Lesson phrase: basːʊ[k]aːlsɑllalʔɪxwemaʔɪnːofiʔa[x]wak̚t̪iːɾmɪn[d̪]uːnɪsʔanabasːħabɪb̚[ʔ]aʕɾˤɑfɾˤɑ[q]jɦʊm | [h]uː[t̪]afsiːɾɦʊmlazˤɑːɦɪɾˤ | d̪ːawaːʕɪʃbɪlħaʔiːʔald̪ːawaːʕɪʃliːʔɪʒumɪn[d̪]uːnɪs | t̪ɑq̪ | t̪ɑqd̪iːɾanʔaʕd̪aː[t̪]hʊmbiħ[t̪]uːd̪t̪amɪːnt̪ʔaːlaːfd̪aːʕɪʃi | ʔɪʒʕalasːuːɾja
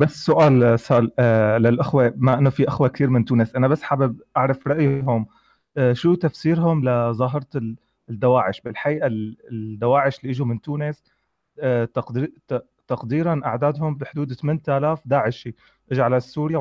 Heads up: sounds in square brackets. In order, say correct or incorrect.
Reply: incorrect, correct, incorrect, correct, incorrect, incorrect, correct, incorrect, incorrect, incorrect

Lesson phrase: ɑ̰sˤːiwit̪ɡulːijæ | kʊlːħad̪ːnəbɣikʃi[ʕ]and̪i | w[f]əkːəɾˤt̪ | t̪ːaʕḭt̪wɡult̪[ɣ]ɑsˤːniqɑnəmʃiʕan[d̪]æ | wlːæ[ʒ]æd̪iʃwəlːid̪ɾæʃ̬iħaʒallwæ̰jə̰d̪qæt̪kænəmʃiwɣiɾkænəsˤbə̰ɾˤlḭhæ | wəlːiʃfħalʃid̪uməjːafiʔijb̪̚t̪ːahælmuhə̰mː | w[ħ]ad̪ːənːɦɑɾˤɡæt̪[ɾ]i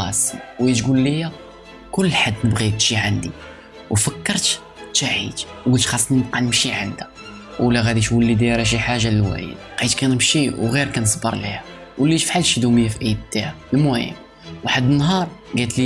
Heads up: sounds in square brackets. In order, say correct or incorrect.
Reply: correct, correct, incorrect, correct, incorrect, correct, incorrect

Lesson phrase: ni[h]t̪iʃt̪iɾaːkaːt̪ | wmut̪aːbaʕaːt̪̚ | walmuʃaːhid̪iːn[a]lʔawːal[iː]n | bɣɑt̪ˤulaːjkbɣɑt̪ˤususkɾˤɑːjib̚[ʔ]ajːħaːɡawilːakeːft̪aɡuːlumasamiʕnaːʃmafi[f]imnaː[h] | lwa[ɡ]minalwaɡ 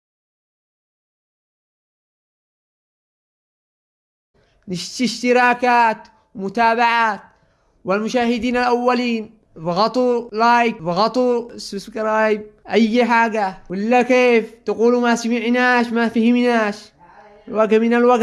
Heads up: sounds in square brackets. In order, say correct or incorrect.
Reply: incorrect, correct, correct, correct, incorrect, incorrect, correct

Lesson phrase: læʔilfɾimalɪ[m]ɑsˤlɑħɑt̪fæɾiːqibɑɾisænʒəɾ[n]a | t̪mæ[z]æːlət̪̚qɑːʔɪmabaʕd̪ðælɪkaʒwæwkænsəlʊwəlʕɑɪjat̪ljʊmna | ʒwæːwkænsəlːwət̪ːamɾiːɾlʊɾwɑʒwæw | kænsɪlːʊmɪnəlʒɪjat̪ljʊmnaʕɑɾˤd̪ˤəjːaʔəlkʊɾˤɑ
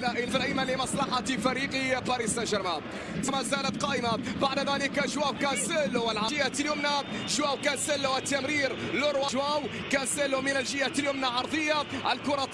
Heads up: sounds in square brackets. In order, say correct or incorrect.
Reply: correct, incorrect, correct

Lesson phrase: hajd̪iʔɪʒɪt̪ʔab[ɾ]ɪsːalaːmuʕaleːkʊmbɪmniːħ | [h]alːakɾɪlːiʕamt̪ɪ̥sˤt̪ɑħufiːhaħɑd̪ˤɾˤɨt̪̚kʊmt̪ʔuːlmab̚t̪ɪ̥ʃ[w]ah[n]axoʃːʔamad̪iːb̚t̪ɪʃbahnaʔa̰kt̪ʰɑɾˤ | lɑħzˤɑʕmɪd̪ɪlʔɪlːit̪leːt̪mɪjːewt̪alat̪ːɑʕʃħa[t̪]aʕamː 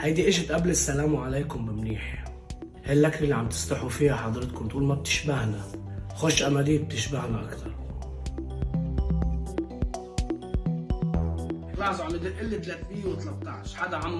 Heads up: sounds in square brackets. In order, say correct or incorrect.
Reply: incorrect, correct, incorrect, correct, incorrect

